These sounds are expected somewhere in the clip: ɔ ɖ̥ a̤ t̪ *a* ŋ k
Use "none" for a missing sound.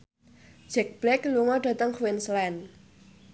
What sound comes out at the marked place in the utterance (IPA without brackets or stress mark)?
ə